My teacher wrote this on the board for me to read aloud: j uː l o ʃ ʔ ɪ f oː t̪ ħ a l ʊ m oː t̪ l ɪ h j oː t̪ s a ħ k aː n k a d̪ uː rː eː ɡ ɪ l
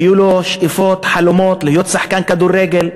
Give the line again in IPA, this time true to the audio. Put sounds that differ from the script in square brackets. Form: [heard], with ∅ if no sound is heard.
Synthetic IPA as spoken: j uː l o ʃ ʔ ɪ f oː t̪ ħ a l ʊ m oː t̪ l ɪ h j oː t̪ s a ħ k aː n k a d̪ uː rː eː ɡ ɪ l